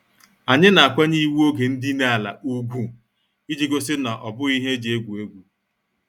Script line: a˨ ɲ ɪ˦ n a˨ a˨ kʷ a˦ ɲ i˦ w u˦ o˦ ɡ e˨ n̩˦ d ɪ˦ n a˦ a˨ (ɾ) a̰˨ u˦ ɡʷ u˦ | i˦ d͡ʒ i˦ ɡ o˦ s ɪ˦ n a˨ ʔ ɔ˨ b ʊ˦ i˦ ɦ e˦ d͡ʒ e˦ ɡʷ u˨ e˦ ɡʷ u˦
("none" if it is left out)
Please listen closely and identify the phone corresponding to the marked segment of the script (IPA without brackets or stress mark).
l